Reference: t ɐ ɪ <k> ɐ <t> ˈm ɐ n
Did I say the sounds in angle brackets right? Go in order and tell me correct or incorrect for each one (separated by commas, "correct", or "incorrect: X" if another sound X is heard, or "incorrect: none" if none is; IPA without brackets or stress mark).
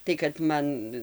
correct, correct